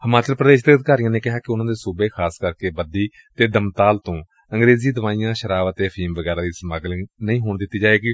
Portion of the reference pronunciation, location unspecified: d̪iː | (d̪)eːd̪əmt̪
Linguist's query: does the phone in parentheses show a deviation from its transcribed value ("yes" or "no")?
yes